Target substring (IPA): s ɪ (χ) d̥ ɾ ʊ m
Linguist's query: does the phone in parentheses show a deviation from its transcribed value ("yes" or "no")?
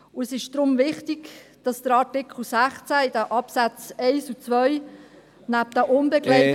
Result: yes